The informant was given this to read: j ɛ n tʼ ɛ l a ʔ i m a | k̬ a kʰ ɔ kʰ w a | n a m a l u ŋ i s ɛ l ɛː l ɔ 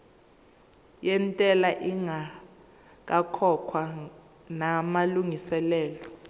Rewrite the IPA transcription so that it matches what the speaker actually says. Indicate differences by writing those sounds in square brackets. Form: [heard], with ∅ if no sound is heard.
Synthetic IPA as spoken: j ɛ n tʼ ɛ l a ʔ i [ŋ] a | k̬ a kʰ ɔ kʰ w a | n a m a l u ŋ i s ɛ l ɛː l ɔ

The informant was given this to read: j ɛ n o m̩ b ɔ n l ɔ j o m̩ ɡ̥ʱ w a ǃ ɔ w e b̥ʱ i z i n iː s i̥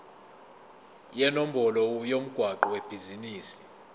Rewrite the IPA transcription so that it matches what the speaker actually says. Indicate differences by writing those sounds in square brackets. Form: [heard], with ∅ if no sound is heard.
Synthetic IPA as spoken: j ɛ n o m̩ b ɔ [∅] l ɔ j o m̩ ɡ̥ʱ w a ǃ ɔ w e b̥ʱ i z i n iː s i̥

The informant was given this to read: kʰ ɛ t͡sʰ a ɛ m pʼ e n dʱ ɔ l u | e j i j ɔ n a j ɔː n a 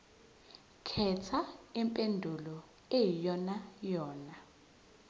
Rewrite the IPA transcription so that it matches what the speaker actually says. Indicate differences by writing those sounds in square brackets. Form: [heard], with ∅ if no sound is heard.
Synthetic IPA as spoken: kʰ ɛ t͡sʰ a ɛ m pʼ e n dʱ [u] l [ɔ] | e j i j ɔ n a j ɔː n a

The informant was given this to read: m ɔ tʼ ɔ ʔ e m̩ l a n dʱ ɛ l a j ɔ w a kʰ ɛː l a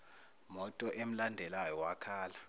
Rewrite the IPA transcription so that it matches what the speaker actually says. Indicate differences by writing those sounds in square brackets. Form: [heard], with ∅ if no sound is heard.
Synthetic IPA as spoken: m ɔ tʼ ɔ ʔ e m̩ l a n dʱ ɛ l a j ɔ w a kʰ [aː] l a

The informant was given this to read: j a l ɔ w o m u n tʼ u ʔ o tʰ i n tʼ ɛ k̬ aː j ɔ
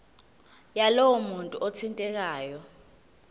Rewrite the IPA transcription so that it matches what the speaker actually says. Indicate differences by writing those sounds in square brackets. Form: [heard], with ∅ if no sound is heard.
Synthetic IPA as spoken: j a l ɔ w [ɔ] m u n tʼ u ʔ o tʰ i n tʼ ɛ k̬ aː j ɔ

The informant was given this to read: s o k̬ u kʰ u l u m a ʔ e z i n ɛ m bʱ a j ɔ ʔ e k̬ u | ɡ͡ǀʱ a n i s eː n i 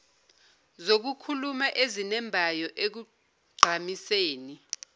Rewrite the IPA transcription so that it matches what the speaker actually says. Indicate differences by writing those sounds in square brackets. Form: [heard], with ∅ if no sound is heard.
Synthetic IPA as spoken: [z] o k̬ u kʰ u l u m a ʔ e z i n ɛ m bʱ a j ɔ ʔ e k̬ u | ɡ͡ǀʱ a [m] i s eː n i

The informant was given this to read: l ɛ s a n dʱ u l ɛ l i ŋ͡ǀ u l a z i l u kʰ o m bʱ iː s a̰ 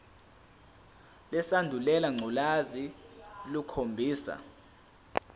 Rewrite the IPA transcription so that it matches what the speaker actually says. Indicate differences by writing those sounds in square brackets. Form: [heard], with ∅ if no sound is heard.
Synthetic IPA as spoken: l ɛ s a n dʱ u l ɛ l [a] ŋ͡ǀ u l a z i l u kʰ o m bʱ iː s a̰

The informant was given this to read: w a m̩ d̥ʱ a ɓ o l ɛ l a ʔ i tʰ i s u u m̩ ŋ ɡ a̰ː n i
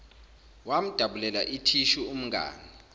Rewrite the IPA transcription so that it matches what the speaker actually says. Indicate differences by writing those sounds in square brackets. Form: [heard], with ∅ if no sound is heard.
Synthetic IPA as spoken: w a m̩ d̥ʱ a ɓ [u] l ɛ l a ʔ i tʰ i [ʃ] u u m̩ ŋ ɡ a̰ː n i

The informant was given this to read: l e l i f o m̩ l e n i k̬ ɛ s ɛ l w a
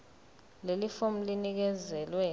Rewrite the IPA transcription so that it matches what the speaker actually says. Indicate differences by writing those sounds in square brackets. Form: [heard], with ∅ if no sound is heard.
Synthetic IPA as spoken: l e l i f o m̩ l [i] n i k̬ ɛ [z] ɛ l w [ɛ]

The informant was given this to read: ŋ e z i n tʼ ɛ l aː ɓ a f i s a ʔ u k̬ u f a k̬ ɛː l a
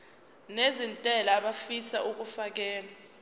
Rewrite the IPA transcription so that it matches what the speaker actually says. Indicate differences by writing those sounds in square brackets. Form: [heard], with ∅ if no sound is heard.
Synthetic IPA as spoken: [n] e z i n tʼ ɛ l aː ɓ a f i s a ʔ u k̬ u f a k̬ ɛː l a

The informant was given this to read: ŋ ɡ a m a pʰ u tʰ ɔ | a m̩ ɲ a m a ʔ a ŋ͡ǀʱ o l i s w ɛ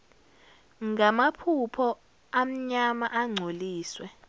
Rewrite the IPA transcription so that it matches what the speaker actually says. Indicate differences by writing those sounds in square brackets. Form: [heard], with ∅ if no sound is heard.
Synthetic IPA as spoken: ŋ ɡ a m a pʰ u [pʰ] ɔ | a m̩ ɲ a m a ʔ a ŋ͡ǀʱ o l [iː] s w ɛ

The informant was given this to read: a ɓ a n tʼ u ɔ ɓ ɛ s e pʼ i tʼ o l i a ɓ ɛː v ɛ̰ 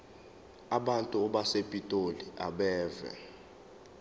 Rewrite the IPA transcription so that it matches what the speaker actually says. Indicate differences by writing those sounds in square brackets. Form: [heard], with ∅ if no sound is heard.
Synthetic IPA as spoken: a ɓ a n tʼ u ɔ ɓ [a] s e pʼ i tʼ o l i a ɓ ɛː v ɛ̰

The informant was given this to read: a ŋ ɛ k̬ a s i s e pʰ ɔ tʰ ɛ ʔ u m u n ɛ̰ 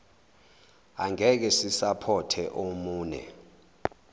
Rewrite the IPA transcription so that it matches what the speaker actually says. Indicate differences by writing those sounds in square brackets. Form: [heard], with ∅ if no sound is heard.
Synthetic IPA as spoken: a ŋ ɛ k̬ [ɛ] s i s [a] pʰ ɔ tʰ ɛ ʔ [o] m [uː] n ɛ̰

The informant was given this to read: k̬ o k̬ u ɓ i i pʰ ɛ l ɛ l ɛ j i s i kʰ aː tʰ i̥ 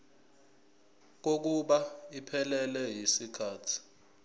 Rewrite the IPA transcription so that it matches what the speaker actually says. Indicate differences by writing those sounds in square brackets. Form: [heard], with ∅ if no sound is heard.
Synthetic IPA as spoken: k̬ o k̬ u ɓ [a] i pʰ ɛ l ɛ l ɛ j i s i kʰ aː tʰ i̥

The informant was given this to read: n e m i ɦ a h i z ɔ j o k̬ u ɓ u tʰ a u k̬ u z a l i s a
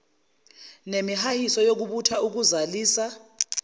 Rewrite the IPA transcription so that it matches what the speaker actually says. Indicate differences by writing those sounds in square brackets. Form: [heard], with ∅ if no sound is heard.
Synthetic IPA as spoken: n e m i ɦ a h i [s] ɔ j o k̬ u ɓ u tʰ a u k̬ u z a l [iː] s a

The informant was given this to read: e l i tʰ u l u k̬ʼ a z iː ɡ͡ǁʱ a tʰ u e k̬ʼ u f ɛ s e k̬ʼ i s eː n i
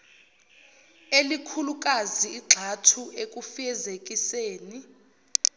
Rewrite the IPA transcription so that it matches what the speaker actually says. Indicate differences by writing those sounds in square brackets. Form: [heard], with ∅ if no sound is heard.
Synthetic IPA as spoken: e l i [kʰ] u l u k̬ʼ a z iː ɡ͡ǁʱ a tʰ u e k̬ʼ u f ɛ [z] e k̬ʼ i s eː n i

